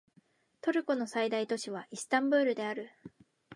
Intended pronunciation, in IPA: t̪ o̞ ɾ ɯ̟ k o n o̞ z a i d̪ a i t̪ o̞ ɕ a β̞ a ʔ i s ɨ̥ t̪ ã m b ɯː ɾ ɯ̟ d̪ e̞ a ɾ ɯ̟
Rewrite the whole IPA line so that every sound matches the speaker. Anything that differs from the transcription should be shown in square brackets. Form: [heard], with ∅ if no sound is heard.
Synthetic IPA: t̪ o̞ ɾ ɯ̟ k o n o̞ [s] a i d̪ a i t̪ o̞ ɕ [i] β̞ a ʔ i s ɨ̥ t̪ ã m b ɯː ɾ ɯ̟ d̪ e̞ a ɾ ɯ̟